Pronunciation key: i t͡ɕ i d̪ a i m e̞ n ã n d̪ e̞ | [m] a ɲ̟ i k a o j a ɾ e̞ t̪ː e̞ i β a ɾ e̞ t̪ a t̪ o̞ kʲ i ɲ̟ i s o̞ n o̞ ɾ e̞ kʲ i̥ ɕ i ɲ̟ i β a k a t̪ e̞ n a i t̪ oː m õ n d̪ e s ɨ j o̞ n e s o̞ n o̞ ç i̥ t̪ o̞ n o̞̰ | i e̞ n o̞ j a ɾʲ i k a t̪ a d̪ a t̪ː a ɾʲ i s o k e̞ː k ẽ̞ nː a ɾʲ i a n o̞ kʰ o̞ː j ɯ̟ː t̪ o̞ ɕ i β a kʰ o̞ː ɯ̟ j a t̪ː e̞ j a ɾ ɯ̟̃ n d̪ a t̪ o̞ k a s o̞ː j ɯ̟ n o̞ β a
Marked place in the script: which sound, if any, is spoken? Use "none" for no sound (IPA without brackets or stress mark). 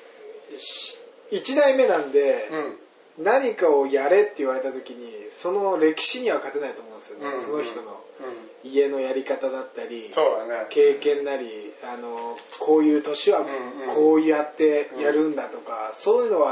n